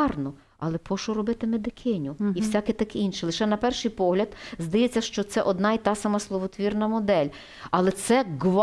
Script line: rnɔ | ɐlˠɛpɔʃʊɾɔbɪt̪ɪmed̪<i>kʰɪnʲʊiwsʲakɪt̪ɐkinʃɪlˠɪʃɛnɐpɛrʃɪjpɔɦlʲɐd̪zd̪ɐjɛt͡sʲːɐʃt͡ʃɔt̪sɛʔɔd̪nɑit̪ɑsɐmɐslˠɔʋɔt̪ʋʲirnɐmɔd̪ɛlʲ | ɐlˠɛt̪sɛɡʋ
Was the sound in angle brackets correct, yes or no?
no